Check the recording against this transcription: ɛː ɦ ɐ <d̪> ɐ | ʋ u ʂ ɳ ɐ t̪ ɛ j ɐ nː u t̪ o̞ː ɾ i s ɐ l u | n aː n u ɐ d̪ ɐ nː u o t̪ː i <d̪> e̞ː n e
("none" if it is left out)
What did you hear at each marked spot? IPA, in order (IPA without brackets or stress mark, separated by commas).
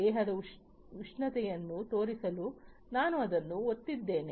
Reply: d̪, d̪ː